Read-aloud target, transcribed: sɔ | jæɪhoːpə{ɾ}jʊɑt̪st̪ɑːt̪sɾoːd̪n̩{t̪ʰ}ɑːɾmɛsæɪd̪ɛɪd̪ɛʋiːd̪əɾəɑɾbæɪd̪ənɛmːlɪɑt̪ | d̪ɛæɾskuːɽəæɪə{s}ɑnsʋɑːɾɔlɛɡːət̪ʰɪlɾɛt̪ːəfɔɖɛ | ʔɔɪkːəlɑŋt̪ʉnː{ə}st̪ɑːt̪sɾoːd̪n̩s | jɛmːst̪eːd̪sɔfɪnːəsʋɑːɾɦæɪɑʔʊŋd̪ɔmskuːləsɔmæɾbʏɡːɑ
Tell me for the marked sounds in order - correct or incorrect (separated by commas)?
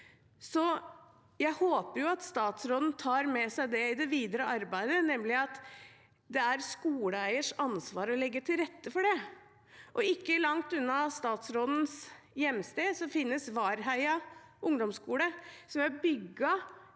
correct, correct, incorrect, incorrect